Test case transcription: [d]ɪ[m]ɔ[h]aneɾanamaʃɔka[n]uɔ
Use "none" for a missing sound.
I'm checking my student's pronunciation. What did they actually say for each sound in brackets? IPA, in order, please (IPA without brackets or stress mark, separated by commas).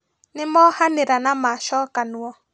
n, m, h, n